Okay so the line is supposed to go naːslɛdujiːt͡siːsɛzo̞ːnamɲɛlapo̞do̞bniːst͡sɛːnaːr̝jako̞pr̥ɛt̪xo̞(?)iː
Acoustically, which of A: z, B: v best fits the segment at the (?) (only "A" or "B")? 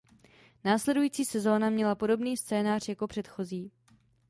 A